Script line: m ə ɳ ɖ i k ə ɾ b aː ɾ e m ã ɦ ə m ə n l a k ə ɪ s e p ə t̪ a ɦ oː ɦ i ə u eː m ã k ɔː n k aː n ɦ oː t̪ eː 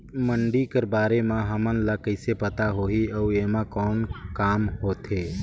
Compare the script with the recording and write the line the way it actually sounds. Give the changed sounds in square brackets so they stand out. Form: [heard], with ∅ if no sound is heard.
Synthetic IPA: m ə ɳ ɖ i k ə ɾ b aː ɾ e m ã ɦ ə m ə n l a k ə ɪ s e p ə t̪ a ɦ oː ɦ i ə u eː m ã k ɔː n k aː [m] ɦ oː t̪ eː